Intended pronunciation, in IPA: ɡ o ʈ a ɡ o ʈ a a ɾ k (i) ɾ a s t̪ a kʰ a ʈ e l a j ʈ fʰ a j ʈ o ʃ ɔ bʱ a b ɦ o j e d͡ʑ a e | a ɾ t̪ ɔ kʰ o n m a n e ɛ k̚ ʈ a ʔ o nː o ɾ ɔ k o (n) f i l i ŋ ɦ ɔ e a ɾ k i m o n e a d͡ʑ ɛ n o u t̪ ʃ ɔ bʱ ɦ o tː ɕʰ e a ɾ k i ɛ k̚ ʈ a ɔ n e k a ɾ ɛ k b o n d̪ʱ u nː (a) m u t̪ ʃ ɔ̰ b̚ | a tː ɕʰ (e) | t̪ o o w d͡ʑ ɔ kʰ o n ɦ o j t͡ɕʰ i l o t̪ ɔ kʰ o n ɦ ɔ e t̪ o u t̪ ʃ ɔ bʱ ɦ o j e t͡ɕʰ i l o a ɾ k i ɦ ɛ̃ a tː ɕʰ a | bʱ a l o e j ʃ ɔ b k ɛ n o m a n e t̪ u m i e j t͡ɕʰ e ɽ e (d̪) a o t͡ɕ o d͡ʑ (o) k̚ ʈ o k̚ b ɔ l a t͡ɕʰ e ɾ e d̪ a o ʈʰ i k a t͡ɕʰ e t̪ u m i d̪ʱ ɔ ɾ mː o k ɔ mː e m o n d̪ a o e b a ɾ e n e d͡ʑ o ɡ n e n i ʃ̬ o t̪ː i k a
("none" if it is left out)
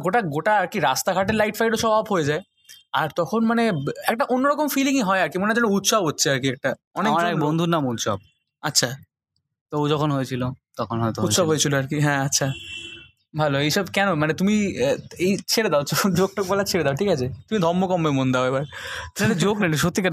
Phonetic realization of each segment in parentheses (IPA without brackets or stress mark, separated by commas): i, m, a, a, d̪, o